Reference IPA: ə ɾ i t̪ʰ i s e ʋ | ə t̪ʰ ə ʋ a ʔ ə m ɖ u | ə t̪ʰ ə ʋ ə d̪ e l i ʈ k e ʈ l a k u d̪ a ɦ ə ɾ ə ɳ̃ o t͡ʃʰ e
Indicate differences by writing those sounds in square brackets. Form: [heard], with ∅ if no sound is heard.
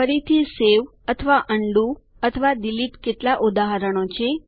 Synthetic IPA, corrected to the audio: ə ɾ i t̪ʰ i s e ʋ | ə t̪ʰ ə ʋ a ʔ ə [ɳ] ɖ u | ə t̪ʰ ə ʋ [a] d̪ [i] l i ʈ k e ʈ l a [ʔ] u d̪ a ɦ ə ɾ ə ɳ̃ o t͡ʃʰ e